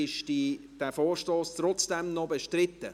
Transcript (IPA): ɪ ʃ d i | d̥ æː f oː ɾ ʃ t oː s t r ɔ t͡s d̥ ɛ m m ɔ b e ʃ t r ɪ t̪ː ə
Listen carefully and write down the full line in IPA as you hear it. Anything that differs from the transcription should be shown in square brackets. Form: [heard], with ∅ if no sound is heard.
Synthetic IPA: ɪ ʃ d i | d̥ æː f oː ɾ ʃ t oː s t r ɔ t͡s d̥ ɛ m [n] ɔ b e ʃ t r ɪ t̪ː ə